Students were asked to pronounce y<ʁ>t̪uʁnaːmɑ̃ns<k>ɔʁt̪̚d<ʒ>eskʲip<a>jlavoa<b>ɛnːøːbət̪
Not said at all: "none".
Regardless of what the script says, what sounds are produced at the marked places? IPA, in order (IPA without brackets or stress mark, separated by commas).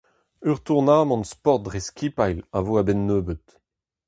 ʁ, p, ʁ, a, b